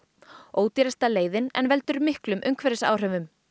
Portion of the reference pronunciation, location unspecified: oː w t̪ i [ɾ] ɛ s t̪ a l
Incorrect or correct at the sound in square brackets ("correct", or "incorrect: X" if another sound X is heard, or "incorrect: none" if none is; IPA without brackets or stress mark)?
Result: correct